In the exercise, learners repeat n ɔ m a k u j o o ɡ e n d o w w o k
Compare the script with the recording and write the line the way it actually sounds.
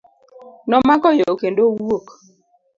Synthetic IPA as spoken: n ɔ m a k ɔ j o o k e n d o w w o k